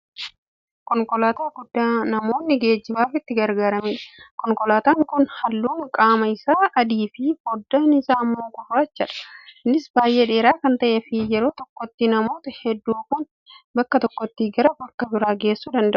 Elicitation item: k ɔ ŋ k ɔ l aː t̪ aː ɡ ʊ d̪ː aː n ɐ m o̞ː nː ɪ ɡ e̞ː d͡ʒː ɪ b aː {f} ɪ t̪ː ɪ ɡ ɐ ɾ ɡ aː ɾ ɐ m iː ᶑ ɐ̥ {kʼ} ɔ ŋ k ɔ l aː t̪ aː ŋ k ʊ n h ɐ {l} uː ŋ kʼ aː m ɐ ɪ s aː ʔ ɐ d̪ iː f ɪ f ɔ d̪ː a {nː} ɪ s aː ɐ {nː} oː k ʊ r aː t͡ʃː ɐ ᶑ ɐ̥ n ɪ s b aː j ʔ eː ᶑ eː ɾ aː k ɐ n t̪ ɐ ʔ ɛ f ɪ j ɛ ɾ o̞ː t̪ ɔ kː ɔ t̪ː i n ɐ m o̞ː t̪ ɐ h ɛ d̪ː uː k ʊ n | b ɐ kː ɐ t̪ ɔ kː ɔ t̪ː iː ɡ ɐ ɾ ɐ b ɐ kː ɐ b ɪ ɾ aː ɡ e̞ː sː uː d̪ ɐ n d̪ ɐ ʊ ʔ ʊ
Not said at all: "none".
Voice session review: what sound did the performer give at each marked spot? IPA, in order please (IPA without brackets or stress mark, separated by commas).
f, k, lː, n, mː